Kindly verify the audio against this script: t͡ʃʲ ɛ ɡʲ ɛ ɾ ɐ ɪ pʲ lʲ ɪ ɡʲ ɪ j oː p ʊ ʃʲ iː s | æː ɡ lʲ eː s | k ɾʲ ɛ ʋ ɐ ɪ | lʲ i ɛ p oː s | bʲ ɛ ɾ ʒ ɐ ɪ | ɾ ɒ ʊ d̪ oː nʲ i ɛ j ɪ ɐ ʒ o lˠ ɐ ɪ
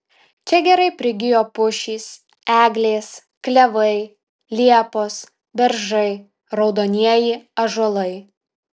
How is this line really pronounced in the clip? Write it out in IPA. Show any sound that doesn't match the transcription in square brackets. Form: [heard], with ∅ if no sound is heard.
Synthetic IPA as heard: t͡ʃʲ ɛ ɡʲ ɛ ɾ ɐ ɪ pʲ [ɾʲ] ɪ ɡʲ ɪ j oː p ʊ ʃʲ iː s | æː ɡ lʲ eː s | k [lʲ] ɛ ʋ ɐ ɪ | lʲ i ɛ p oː s | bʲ ɛ ɾ ʒ ɐ ɪ | ɾ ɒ ʊ d̪ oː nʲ i ɛ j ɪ ɐ ʒ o lˠ ɐ ɪ